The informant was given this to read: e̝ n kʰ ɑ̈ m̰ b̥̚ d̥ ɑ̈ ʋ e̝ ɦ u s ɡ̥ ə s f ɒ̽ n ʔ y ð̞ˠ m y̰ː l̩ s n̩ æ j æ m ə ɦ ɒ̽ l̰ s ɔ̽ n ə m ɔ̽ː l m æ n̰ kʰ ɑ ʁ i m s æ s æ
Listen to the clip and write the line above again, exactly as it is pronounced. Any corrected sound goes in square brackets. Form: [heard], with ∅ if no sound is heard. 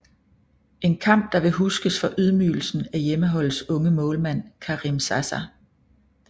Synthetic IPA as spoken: e̝ n kʰ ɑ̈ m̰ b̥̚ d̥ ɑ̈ ʋ e̝ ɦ u s ɡ̥ ə s f ɒ̽ [∅] ʔ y ð̞ˠ m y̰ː l̩ s n̩ æ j [e] m ə ɦ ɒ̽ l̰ s ɔ̽ [ŋ] ə m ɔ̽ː l m æ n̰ kʰ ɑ ʁ i m s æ s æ